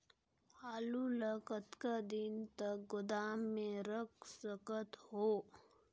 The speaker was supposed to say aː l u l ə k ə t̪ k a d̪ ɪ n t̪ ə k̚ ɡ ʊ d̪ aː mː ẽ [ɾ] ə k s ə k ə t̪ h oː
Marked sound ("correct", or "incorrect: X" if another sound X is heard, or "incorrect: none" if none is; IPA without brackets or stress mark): correct